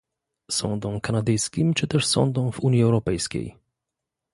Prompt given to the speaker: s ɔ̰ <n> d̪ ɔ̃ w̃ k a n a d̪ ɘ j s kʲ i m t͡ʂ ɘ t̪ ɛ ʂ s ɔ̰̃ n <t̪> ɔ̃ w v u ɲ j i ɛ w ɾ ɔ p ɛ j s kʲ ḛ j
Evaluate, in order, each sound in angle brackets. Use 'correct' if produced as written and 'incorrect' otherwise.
correct, incorrect

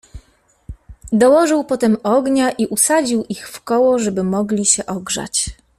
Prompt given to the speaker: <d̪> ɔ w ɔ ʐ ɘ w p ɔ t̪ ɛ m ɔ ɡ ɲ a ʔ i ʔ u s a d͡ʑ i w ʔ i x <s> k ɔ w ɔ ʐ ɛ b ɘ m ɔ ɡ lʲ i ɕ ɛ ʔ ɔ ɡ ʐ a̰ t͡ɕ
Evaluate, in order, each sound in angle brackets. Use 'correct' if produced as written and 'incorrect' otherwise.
correct, incorrect

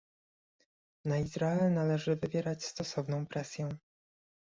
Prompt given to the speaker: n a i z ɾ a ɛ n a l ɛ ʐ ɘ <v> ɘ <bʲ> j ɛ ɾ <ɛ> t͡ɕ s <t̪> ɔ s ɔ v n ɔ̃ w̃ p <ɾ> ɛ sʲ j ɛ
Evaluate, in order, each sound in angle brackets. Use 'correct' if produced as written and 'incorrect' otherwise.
correct, incorrect, incorrect, correct, correct

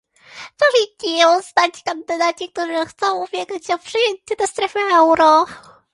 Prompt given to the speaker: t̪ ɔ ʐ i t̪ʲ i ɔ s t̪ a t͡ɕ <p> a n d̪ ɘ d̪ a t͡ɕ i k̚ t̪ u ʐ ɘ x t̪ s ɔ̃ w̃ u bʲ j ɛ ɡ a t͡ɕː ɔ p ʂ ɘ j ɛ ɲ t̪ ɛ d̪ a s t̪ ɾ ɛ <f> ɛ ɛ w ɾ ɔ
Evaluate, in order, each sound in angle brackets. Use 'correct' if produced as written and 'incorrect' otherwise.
incorrect, correct

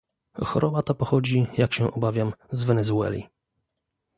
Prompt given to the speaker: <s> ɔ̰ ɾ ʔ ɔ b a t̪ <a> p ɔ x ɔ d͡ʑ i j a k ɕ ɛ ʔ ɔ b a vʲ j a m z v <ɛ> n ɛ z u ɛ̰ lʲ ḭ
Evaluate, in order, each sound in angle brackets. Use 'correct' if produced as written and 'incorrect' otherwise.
incorrect, correct, correct

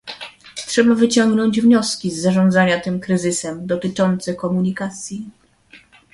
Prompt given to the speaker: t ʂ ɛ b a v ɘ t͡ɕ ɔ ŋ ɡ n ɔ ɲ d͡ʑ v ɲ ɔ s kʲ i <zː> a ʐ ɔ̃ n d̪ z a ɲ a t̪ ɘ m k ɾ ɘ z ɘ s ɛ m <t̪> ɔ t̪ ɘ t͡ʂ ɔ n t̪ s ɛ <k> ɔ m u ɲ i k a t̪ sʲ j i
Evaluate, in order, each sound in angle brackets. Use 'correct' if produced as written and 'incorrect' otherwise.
correct, incorrect, correct

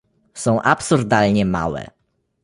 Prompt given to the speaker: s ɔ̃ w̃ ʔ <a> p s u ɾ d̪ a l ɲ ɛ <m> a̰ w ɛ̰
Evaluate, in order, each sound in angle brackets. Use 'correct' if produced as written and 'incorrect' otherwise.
correct, correct

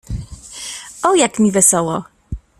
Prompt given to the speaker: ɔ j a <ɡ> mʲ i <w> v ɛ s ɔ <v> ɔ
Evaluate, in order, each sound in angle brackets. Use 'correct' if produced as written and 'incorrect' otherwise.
incorrect, incorrect, incorrect

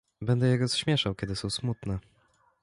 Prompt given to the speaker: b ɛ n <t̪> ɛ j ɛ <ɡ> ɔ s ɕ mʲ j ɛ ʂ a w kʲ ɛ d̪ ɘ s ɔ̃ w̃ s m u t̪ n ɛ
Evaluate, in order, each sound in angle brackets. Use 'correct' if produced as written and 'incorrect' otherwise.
incorrect, correct

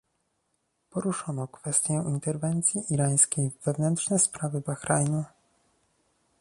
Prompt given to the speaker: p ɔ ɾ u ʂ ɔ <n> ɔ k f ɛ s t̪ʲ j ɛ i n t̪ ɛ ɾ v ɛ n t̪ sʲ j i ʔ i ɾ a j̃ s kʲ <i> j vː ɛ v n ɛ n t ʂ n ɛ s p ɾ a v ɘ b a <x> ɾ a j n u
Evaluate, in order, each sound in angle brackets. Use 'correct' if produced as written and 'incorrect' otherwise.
correct, incorrect, correct

